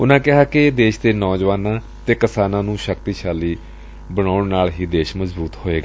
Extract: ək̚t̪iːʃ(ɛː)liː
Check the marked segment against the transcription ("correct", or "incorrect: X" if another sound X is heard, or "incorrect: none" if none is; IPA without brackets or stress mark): incorrect: aː